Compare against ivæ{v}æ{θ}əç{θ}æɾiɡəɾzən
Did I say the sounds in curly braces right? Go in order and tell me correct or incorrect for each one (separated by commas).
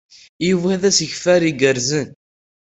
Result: incorrect, incorrect, incorrect